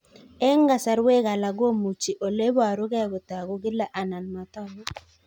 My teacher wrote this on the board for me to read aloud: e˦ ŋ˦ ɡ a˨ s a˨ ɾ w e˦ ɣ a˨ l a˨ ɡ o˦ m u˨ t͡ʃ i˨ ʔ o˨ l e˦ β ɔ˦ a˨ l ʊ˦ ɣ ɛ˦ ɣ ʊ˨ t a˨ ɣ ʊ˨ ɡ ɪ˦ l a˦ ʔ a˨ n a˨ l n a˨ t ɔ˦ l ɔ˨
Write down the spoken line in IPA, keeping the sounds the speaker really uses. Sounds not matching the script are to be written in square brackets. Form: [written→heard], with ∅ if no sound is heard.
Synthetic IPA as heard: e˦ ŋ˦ ɡ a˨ s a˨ ɾ w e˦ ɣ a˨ l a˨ ɡ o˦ m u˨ t͡ʃ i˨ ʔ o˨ l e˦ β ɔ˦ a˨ [l→ɾ] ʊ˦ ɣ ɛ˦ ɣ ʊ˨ t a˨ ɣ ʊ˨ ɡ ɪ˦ l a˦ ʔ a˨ n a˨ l [n→m] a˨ t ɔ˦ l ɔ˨